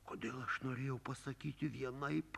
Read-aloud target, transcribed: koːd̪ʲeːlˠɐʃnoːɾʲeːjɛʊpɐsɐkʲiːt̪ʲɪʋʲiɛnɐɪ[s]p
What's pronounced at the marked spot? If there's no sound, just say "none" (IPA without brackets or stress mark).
none